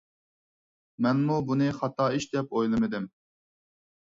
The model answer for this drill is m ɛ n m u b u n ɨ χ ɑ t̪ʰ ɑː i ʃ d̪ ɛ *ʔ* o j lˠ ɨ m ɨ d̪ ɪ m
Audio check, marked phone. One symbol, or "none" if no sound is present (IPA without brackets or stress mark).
p